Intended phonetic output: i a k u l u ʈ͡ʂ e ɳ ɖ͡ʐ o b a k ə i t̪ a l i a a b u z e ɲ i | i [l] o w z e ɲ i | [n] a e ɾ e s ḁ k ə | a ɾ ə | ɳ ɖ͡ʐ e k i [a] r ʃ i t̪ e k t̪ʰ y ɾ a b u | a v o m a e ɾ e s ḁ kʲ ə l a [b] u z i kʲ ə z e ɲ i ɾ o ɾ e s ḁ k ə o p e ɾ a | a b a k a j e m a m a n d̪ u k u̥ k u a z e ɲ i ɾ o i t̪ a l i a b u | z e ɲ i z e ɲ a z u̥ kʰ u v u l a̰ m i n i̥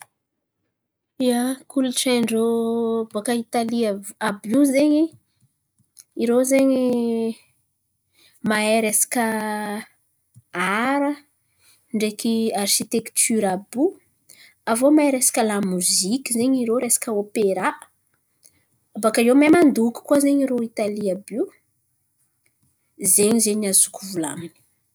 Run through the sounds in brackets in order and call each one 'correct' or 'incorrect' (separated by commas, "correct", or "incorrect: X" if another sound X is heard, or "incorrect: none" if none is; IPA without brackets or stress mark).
incorrect: ɾ, incorrect: m, correct, incorrect: m